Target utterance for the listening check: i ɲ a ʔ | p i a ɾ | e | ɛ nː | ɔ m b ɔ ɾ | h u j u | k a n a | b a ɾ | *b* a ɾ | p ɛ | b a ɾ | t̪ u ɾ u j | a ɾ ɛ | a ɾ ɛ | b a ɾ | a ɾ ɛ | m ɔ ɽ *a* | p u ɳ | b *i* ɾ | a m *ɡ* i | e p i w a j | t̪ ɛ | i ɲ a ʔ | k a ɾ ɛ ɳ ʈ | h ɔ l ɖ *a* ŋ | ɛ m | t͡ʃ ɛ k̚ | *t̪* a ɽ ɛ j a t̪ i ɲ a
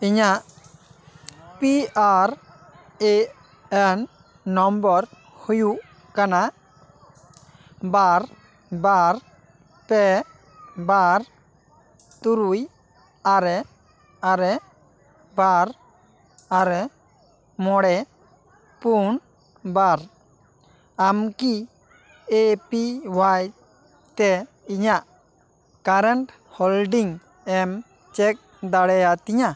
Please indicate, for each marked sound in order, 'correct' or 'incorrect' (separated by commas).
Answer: correct, incorrect, incorrect, incorrect, incorrect, incorrect